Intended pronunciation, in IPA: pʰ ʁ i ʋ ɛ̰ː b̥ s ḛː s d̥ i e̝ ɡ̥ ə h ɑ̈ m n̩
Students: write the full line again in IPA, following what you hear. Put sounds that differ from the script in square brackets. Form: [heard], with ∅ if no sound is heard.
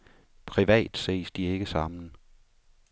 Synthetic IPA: pʰ ʁ i ʋ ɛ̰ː [d̥] s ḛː s d̥ i e̝ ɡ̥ ə [s] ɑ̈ m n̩

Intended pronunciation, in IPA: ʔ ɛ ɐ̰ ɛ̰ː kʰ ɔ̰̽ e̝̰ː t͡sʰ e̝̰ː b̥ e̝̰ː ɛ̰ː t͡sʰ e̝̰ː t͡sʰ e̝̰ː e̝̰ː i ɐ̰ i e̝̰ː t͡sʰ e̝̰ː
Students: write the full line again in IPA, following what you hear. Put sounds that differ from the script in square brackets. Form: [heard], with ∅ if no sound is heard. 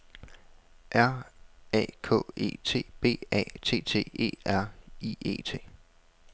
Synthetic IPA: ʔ [æ] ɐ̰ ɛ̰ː kʰ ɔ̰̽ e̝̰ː t͡sʰ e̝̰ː b̥ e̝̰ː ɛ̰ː t͡sʰ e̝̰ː t͡sʰ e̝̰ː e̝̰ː [æ] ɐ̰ i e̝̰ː t͡sʰ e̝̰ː

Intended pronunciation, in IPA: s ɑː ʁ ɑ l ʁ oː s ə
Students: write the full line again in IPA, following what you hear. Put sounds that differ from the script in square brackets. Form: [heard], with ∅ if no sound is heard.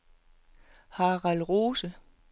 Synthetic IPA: [h] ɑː ʁ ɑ l ʁ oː s ə

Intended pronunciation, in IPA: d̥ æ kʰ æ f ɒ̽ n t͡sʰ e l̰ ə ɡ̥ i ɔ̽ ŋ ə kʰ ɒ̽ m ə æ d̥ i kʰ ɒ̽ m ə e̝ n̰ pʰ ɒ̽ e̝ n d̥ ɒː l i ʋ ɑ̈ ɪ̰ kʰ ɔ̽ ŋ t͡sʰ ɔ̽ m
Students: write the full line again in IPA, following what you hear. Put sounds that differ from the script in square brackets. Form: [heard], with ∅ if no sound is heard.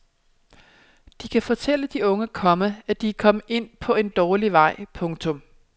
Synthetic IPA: d̥ [i] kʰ æ f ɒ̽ [∅] t͡sʰ e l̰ ə [d̥] i ɔ̽ ŋ ə kʰ ɒ̽ m ə æ d̥ i kʰ ɒ̽ m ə e̝ n̰ pʰ ɒ̽ e̝ n d̥ ɒː l i ʋ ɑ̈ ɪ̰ [pʰ] ɔ̽ ŋ t͡sʰ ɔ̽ m

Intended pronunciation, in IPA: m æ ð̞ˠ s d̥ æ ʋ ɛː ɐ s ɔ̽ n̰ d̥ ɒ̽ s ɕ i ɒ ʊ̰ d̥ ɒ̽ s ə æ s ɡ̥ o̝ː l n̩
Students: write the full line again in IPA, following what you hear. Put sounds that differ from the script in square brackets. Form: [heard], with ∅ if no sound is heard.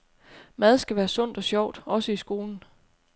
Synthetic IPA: m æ ð̞ˠ s [ɡ̥] æ ʋ [æː] ɐ s ɔ̽ n̰ d̥ ɒ̽ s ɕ [j] ɒ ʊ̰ d̥ ɒ̽ s ə [i] s ɡ̥ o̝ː l n̩

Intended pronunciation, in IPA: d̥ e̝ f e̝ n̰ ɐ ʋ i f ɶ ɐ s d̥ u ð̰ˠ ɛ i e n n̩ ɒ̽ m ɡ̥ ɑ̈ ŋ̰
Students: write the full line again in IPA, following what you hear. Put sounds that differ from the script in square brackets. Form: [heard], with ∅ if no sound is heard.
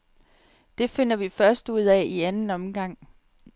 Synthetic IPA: d̥ e̝ f e̝ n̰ ɐ ʋ i f ɶ ɐ s d̥ u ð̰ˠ ɛ i [æ] n n̩ ɒ̽ m ɡ̥ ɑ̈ ŋ̰

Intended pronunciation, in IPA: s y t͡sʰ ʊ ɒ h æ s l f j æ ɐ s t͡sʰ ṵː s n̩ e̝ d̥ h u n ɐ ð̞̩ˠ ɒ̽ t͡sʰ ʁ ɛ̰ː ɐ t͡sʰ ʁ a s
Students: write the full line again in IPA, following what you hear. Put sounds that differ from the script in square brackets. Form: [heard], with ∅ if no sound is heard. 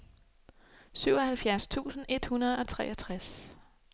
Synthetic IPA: s y [∅] ʊ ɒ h æ [∅] l f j æ ɐ s t͡sʰ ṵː s n̩ e̝ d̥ h u n ɐ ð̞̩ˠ ɒ̽ t͡sʰ ʁ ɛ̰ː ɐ t͡sʰ ʁ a s

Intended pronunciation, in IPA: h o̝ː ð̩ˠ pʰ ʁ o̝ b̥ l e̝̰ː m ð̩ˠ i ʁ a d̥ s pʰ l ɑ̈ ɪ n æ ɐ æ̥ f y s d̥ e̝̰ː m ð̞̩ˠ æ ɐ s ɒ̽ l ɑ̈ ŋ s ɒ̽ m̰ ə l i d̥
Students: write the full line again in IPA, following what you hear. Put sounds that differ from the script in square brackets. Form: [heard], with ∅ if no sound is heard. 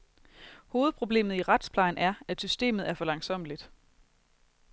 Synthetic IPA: h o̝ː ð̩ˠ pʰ ʁ o̝ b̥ l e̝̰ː m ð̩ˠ i ʁ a d̥ s pʰ l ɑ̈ ɪ n æ ɐ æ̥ [s] y s d̥ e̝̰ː m ð̞̩ˠ æ ɐ [f] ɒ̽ l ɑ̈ ŋ s ɒ̽ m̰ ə l i d̥

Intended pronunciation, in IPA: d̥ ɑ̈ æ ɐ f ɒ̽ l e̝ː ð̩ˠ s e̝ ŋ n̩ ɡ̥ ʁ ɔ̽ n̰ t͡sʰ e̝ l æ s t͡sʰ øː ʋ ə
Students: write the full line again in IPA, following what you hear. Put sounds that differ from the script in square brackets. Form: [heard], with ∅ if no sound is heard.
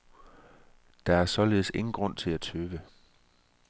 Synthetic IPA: d̥ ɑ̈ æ ɐ [s] ɒ̽ l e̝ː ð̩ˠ s e̝ ŋ n̩ ɡ̥ ʁ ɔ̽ n̰ t͡sʰ e̝ l æ [∅] t͡sʰ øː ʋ ə

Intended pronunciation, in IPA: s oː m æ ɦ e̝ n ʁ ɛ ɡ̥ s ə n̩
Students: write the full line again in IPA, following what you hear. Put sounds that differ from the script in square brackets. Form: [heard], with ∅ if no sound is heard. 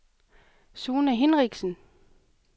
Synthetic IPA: s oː [n] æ ɦ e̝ n ʁ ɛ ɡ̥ s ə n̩

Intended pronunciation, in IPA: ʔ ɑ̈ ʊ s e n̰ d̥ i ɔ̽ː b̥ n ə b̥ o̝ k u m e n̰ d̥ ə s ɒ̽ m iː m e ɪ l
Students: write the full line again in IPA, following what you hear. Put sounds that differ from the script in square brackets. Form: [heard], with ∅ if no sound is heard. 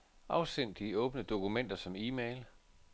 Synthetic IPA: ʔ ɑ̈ ʊ s e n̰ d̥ i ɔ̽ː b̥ n ə [d̥] o̝ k u m e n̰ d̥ [ɐ] s ɒ̽ m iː m e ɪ l

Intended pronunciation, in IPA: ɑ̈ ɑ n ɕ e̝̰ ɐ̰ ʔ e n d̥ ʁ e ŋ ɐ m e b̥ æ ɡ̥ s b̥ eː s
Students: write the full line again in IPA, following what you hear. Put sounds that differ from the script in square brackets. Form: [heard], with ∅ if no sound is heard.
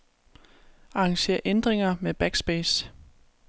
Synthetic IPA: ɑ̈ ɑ [ŋ] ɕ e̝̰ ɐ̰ ʔ e n d̥ ʁ e ŋ ɐ m e b̥ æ ɡ̥ s b̥ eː s

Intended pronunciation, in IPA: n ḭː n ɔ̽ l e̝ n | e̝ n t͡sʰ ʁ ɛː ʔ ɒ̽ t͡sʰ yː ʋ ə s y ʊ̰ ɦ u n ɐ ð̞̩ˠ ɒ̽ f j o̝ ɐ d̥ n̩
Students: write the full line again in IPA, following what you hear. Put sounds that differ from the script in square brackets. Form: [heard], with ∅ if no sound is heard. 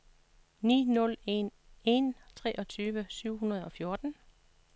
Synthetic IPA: n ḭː n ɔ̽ l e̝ n | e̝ n t͡sʰ ʁ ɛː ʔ ɒ̽ t͡sʰ yː ʋ ə s y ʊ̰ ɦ u n ɐ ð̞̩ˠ ɒ̽ f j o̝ ɐ d̥ n̩

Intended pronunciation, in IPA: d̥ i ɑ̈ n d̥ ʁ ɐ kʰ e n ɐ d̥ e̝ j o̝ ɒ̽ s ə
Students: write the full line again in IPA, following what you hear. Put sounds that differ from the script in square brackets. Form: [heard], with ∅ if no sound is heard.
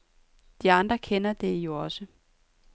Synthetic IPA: d̥ i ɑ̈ n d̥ ʁ ɐ kʰ e n ɐ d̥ e̝ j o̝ ɒ̽ s ə

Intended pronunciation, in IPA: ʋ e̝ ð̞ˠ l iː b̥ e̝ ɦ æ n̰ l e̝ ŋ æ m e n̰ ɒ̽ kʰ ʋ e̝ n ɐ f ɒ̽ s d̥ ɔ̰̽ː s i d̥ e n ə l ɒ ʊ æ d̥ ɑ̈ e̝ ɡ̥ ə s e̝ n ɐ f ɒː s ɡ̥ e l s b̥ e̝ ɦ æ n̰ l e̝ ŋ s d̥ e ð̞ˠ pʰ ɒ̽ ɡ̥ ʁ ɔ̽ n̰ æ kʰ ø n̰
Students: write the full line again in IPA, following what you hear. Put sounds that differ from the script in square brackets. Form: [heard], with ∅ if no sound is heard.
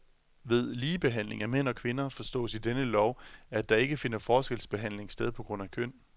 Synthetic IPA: ʋ e̝ ð̞ˠ l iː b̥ e̝ ɦ æ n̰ l e̝ ŋ æ m e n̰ ɒ̽ kʰ ʋ e̝ n ɐ f ɒ̽ s d̥ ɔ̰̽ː s i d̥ e n ə l ɒ ʊ æ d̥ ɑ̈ e̝ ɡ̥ ə [f] e̝ n ɐ f ɒː s ɡ̥ e l s b̥ e̝ ɦ æ n̰ l e̝ ŋ s d̥ e ð̞ˠ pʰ ɒ̽ ɡ̥ ʁ ɔ̽ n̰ æ kʰ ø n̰

